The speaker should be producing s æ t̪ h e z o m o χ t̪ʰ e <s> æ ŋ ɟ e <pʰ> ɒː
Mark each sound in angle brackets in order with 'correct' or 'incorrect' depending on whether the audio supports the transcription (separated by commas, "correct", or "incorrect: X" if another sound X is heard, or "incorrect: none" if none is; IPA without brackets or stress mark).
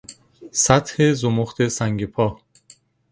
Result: correct, correct